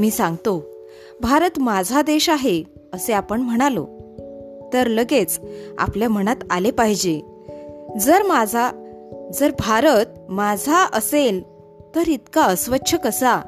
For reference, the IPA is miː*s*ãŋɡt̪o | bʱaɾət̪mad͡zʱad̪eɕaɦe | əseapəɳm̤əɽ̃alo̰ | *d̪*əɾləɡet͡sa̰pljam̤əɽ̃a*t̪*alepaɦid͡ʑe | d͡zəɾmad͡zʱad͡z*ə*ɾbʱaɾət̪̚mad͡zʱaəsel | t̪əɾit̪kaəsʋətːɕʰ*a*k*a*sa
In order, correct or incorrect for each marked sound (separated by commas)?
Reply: correct, incorrect, correct, correct, incorrect, incorrect